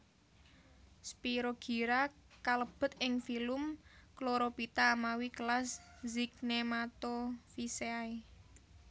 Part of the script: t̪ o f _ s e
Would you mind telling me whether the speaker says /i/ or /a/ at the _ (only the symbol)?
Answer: i